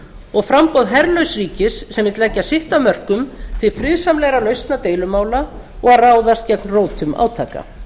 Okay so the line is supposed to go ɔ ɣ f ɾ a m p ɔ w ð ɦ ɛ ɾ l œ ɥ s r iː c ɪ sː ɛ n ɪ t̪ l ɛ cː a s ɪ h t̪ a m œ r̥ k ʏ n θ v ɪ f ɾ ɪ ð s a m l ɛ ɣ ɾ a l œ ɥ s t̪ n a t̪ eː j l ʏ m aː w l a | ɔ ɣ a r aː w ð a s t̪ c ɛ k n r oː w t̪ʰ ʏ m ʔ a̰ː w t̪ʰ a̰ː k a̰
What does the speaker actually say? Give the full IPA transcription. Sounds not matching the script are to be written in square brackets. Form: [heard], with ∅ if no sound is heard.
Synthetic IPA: ɔ ɣ f ɾ a m p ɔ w ð ɦ ɛ ɾ l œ ɥ s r iː c ɪ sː ɛ [m] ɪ t̪ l ɛ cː a s ɪ h t̪ a m œ r̥ k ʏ [m] θ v ɪ f ɾ ɪ ð s a m l ɛ ɣ ɾ a l œ ɥ s t̪ n a t̪ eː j l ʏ m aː w l a | ɔ ɣ a r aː w ð a s t̪ c ɛ k n r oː w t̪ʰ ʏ m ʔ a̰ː w t̪ʰ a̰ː k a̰